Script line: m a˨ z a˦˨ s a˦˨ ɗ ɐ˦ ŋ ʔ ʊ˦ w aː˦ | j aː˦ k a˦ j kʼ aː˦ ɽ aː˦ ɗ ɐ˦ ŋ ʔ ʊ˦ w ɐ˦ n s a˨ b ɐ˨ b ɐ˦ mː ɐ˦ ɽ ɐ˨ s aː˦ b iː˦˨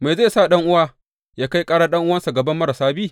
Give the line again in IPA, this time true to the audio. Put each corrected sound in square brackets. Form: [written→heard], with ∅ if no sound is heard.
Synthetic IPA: m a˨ z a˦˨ s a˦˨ ɗ ɐ˦ ŋ ʔ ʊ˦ w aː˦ | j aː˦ k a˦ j kʼ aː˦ ɽ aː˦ ɗ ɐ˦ ŋ ʔ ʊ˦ w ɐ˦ n s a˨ [b→ɡ] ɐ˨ b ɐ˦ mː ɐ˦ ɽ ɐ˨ s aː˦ b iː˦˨